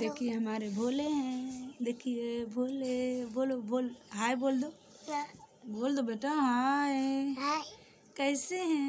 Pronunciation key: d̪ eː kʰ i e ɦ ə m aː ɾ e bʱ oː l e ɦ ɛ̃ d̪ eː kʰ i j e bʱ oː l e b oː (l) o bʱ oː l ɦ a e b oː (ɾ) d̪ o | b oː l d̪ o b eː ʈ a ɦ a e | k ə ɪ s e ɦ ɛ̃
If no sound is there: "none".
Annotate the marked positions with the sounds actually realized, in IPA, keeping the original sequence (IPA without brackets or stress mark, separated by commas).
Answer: l, l